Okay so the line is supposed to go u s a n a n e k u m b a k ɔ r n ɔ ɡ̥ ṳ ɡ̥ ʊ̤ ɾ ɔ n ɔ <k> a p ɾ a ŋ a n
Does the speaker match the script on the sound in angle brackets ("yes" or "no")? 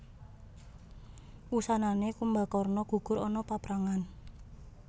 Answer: no